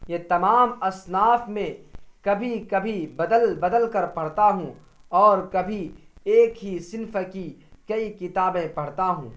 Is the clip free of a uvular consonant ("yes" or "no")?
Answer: yes